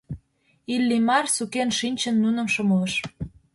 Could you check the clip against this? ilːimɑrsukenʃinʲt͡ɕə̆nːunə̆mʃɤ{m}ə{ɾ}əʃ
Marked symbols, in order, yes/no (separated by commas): yes, no